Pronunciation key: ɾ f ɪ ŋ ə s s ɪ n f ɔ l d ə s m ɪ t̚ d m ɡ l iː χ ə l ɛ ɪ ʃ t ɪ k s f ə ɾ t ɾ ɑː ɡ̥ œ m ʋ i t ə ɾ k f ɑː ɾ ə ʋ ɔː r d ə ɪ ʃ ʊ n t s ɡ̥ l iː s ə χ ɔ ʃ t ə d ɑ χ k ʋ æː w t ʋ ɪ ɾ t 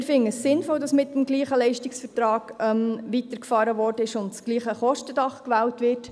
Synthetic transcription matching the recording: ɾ f ɪ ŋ ə s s ɪ n f ɔ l d ɑ s m ɪ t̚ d m ɡ l iː χ ə l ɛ ɪ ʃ t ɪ k s f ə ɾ t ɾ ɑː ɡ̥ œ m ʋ i t ə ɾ k f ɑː ɾ ə ʋ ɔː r d ə ɪ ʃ ʊ n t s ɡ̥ l iː χ ə χ ɔ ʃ t ə d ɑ χ k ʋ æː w t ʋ ɪ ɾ t